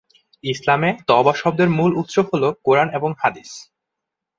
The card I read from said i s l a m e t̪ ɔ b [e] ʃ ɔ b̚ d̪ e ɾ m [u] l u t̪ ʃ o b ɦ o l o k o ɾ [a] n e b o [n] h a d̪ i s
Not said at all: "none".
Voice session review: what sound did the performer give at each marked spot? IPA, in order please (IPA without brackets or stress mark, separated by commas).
a, u, a, ŋ